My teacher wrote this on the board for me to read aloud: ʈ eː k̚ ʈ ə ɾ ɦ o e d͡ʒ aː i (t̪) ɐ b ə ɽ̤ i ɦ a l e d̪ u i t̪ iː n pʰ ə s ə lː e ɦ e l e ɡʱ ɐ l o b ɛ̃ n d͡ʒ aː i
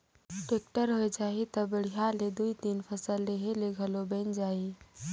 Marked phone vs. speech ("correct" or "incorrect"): correct